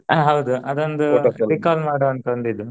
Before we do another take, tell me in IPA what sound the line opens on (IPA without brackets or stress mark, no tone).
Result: ɦ